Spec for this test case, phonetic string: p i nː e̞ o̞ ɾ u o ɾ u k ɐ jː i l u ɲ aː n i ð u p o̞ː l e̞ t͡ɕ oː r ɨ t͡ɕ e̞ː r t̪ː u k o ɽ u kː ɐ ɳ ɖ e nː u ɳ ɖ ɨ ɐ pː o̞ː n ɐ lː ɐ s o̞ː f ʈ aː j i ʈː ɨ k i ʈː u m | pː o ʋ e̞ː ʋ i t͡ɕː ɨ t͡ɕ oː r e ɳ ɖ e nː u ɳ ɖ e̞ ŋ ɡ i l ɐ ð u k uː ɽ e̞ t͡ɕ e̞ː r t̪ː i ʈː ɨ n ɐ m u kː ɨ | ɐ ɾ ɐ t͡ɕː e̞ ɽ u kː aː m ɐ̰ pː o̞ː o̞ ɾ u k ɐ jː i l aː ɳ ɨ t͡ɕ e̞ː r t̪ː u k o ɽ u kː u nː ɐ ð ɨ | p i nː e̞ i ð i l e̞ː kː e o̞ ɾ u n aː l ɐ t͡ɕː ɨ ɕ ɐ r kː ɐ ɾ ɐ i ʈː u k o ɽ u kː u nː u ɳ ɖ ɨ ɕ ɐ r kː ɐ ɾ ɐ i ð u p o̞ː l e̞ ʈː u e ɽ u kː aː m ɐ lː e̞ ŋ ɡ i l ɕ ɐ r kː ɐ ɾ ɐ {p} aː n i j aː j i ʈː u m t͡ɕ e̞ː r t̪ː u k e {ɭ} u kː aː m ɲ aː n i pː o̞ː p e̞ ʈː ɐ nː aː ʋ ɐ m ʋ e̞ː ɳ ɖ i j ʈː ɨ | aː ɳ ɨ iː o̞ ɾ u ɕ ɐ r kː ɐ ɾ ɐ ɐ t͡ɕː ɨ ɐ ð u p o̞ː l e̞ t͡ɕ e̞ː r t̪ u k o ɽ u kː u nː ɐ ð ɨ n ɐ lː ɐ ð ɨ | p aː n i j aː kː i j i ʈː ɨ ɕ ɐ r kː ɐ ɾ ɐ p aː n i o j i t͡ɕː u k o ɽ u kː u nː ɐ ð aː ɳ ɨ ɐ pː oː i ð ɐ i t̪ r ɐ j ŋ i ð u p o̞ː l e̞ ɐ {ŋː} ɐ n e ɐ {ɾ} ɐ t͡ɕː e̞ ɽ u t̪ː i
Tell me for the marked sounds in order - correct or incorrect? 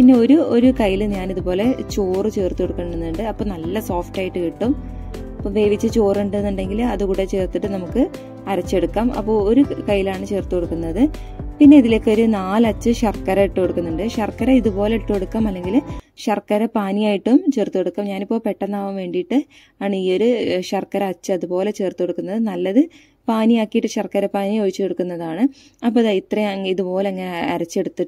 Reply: correct, incorrect: ɽ, correct, correct

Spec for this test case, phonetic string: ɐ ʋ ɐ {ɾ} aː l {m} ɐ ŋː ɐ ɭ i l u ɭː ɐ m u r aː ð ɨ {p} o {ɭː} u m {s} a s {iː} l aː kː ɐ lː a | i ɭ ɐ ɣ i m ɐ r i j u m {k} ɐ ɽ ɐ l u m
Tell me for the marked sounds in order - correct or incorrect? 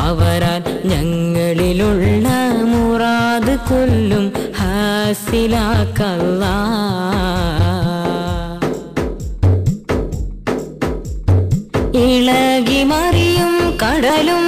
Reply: correct, incorrect: ɲ, incorrect: k, incorrect: lː, incorrect: h, incorrect: i, correct

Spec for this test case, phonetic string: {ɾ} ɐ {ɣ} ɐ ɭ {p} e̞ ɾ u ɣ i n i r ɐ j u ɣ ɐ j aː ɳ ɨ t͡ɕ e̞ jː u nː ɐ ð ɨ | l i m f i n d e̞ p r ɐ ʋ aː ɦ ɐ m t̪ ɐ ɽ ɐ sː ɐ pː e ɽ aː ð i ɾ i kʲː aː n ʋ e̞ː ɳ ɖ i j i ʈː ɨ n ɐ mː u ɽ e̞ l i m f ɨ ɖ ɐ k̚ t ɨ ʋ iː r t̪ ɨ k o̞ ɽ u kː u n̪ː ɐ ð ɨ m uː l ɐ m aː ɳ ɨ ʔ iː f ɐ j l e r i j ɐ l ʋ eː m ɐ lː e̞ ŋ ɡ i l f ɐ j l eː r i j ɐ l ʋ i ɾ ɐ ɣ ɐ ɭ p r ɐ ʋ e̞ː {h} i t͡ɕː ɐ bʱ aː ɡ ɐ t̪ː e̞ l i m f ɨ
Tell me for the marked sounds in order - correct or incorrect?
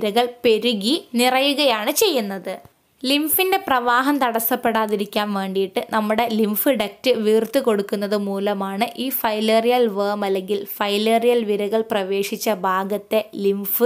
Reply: correct, correct, correct, incorrect: ʂ

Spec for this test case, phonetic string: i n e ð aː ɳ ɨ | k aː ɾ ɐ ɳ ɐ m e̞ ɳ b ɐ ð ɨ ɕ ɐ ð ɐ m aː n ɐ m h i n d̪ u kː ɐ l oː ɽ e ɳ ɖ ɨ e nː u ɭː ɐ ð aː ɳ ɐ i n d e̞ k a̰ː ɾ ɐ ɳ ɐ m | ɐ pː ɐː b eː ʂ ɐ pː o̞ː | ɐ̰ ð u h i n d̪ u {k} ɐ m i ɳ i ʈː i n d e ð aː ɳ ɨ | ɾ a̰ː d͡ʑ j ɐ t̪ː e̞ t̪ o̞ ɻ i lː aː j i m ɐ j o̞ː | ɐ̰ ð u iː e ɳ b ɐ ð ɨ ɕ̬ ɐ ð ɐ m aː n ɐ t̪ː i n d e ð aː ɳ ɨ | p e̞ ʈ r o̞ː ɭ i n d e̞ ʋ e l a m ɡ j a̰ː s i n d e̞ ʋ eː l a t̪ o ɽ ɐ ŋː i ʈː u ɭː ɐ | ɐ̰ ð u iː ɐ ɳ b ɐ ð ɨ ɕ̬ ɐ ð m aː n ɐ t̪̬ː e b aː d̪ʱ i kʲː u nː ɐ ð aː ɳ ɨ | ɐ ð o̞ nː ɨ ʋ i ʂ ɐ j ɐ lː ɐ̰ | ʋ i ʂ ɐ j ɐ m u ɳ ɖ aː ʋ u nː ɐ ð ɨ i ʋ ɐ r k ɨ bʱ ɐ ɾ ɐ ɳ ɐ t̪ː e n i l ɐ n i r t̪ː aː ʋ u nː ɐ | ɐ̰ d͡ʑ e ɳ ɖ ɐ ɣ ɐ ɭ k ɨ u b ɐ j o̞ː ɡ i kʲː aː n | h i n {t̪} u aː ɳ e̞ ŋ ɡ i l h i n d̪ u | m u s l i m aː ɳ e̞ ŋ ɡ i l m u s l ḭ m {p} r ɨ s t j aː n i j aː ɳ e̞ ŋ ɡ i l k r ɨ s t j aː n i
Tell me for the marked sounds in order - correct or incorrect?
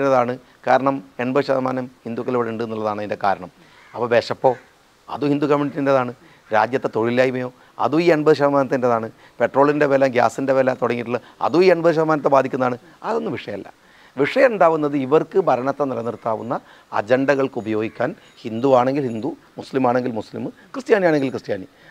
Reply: correct, incorrect: d̪, incorrect: k

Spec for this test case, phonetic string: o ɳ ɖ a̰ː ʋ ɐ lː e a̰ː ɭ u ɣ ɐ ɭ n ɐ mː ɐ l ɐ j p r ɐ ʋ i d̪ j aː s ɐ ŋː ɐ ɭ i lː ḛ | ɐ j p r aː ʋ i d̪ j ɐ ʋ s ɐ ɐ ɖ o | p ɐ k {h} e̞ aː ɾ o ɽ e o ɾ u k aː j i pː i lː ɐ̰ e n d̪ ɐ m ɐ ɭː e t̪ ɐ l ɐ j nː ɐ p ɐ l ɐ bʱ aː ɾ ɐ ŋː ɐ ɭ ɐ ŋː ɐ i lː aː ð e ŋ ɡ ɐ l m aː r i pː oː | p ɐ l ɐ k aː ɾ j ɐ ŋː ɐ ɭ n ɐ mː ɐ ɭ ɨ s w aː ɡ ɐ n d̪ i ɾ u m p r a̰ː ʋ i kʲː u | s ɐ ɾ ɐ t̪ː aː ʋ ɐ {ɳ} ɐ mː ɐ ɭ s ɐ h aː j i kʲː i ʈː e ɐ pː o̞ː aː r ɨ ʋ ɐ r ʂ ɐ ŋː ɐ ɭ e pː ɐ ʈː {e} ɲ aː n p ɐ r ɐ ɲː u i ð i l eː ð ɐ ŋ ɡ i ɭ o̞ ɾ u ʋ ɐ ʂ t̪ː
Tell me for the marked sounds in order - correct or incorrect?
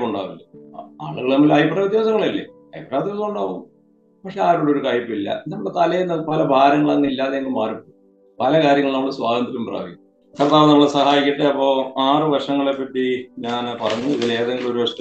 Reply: incorrect: ʂ, incorrect: n, incorrect: i

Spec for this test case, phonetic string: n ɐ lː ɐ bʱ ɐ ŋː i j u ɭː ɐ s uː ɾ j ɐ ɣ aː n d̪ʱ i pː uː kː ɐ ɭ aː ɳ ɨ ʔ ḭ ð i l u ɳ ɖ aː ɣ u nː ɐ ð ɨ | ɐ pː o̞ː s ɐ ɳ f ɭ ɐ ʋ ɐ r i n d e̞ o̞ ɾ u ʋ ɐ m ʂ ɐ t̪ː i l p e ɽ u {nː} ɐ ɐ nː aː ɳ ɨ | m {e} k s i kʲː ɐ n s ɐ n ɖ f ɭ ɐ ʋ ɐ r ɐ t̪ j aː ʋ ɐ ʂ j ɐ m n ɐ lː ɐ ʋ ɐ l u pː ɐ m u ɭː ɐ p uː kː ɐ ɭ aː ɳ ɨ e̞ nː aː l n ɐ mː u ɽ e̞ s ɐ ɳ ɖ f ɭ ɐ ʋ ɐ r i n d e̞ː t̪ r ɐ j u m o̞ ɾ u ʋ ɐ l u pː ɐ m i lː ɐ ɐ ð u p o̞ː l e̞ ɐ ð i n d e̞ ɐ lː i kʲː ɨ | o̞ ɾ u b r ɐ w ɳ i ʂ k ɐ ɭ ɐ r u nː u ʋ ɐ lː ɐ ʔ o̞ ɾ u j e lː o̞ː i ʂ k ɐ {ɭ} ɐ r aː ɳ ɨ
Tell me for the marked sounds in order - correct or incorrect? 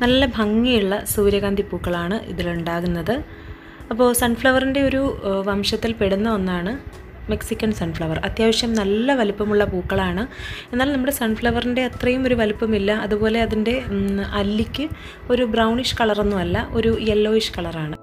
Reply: correct, correct, correct

